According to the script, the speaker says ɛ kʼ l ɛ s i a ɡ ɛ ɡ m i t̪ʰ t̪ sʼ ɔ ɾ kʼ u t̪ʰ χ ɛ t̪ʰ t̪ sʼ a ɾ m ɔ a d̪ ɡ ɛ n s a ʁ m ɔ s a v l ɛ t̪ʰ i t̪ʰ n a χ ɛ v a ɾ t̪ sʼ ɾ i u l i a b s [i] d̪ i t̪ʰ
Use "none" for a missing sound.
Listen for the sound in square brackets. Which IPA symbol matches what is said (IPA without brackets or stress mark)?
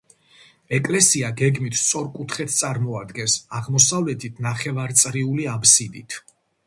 i